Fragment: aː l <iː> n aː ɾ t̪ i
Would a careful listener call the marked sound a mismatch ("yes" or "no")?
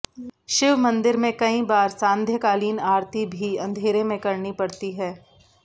no